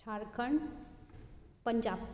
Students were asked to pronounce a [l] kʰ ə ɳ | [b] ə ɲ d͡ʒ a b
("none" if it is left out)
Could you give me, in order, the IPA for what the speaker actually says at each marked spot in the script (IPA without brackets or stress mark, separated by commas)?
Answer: ɾ, p